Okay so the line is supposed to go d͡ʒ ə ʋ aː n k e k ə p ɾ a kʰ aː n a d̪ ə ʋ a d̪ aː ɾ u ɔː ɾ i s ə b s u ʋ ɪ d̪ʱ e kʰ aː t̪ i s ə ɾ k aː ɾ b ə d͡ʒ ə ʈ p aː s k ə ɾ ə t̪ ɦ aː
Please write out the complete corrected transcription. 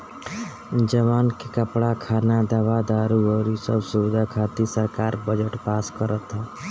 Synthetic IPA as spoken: d͡ʒ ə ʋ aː n k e k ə p ɽ a kʰ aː n a d̪ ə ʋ a d̪ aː ɾ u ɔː ɾ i s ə b s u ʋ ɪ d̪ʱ a kʰ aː t̪ i s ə ɾ k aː ɾ b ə d͡ʒ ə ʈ p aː s k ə ɾ ə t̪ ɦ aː